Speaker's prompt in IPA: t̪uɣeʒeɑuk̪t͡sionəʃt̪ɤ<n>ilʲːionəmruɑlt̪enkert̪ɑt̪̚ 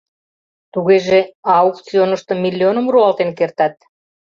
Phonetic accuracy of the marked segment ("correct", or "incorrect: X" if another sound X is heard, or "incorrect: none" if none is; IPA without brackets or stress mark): incorrect: m